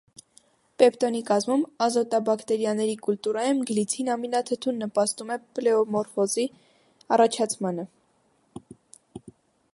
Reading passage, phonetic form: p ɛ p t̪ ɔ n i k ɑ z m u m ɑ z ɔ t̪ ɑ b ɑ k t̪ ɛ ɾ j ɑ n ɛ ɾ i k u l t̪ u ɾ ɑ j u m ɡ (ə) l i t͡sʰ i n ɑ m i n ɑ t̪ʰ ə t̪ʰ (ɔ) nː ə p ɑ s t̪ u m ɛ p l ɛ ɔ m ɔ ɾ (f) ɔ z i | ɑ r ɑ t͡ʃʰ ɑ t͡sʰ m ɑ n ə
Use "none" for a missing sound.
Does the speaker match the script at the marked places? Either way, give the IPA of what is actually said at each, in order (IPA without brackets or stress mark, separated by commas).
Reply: ə, u, f